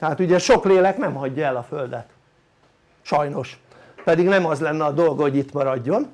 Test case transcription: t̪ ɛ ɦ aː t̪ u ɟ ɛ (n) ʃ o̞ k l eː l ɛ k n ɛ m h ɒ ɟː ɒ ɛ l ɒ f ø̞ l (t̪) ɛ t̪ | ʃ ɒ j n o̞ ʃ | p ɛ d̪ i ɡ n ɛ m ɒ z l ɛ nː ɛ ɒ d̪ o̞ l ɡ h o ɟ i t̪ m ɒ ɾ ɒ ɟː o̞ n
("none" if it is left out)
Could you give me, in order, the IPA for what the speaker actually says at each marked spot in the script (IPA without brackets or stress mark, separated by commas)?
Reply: none, d̪